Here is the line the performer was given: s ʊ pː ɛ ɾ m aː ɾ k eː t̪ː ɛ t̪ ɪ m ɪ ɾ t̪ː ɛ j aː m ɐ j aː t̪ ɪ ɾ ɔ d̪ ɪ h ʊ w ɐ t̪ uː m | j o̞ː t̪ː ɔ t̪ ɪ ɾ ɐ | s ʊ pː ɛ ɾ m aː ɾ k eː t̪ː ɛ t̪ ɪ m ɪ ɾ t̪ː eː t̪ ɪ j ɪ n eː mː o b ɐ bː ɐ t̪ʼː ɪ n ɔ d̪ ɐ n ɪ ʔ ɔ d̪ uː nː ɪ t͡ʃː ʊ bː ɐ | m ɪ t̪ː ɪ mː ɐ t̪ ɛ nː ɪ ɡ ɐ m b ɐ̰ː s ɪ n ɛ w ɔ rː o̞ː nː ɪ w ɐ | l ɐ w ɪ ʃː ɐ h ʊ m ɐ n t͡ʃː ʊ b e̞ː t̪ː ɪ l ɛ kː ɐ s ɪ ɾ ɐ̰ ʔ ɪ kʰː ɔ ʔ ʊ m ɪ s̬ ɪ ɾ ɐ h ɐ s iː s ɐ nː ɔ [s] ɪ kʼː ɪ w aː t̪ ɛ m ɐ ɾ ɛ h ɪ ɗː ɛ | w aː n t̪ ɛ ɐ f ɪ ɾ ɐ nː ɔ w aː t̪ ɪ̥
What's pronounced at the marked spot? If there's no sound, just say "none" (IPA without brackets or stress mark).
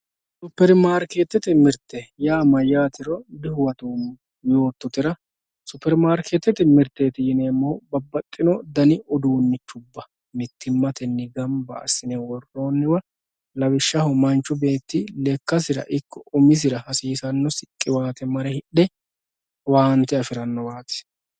s